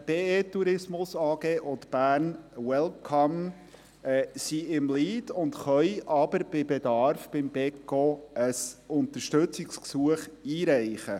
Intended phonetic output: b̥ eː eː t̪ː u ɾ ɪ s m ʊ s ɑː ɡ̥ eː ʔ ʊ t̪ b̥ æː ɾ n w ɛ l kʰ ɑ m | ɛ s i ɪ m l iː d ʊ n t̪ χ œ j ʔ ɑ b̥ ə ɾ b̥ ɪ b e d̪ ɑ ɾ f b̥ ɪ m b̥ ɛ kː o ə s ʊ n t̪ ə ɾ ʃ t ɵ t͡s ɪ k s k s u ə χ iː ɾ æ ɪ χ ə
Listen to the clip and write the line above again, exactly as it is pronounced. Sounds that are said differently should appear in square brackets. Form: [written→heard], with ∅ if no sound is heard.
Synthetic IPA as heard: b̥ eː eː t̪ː u ɾ ɪ s m ʊ s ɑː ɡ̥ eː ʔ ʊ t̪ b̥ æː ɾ n w ɛ l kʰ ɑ m | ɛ s i ɪ m l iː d ʊ n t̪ χ œ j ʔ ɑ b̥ ə ɾ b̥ ɪ b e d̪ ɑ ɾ f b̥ ɪ m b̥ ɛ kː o ə s ʊ n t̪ ə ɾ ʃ t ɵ t͡s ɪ k s k s u ə χ iː ɾ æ ɪ χ ə

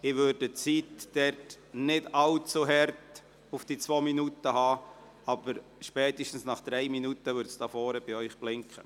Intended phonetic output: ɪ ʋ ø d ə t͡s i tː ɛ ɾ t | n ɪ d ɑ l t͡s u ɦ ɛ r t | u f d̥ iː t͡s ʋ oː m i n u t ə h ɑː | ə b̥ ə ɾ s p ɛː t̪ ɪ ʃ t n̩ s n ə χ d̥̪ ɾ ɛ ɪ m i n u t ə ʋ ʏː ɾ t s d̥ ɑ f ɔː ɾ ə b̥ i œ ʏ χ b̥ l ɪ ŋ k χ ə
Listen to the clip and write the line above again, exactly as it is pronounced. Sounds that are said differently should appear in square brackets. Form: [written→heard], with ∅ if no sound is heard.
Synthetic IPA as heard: ɪ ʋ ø d ə t͡s i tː ɛ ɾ t | n ɪ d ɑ l t͡s u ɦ ɛ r t | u f d̥ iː t͡s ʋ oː m i n u t ə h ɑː | [ə→ɑ] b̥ ə ɾ [s→ʃ] p ɛː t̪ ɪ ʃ t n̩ s n [ə→ɑ] χ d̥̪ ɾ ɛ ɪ m i n u t ə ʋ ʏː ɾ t s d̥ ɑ f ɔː ɾ ə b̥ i œ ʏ χ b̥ l ɪ ŋ k χ ə

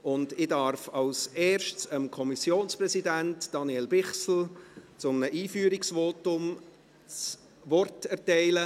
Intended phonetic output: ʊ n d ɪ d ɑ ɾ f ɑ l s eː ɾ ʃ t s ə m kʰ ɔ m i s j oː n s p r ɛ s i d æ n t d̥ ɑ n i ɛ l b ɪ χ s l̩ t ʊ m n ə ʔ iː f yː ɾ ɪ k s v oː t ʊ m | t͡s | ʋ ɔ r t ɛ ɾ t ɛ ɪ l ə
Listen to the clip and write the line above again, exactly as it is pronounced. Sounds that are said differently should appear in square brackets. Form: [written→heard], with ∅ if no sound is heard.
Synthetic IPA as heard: ʊ n d ɪ d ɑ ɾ f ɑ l s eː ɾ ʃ t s ə m kʰ ɔ m i s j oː n s p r ɛ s i d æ n t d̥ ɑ n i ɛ l b ɪ χ s l̩ [t→t͡s] ʊ m n ə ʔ iː f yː ɾ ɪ k s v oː t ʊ m | t͡s | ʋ ɔ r t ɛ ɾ t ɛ ɪ l ə

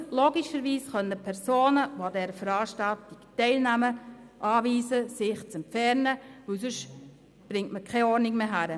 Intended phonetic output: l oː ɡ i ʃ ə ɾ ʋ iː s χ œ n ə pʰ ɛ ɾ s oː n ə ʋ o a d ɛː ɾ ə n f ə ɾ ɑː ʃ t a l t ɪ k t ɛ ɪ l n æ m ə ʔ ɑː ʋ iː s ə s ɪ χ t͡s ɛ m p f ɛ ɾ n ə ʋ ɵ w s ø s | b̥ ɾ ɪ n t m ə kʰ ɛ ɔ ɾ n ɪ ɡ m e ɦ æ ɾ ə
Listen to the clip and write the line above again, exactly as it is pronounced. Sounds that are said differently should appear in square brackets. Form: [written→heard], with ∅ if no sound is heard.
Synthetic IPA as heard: l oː ɡ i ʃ ə ɾ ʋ iː s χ œ n ə pʰ ɛ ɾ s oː n ə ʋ o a d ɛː ɾ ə [n→∅] f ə ɾ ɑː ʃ t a l t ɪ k t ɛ ɪ l n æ m ə ʔ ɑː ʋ iː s ə s ɪ χ t͡s ɛ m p f ɛ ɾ n ə ʋ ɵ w s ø [s→ʃ] | b̥ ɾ ɪ [n→ŋ] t m ə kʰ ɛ ɔ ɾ n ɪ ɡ m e ɦ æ ɾ ə

